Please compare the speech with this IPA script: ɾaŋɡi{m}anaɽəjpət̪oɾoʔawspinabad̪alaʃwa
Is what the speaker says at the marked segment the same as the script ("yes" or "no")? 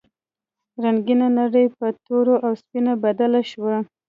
no